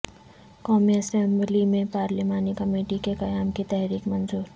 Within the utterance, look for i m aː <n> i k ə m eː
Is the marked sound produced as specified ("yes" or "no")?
yes